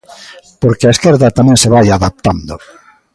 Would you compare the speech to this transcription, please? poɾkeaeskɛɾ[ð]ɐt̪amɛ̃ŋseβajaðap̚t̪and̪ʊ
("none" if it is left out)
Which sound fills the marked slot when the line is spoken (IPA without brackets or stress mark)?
ð